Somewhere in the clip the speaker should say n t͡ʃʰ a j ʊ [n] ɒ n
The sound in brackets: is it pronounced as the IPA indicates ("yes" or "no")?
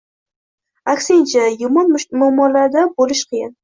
no